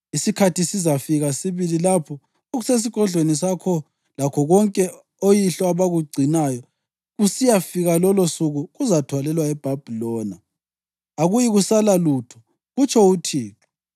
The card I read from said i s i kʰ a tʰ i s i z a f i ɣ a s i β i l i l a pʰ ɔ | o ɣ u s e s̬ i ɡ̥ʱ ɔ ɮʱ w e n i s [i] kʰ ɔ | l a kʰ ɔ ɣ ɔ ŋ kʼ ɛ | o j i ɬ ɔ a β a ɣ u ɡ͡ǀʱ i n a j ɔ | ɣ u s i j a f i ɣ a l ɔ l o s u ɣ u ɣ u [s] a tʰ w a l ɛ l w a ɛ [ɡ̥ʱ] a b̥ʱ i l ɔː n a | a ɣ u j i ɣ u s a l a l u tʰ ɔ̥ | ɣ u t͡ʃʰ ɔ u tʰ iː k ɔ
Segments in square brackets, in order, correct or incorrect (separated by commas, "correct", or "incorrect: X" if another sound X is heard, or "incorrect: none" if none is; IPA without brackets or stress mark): incorrect: a, incorrect: z, incorrect: b̥ʱ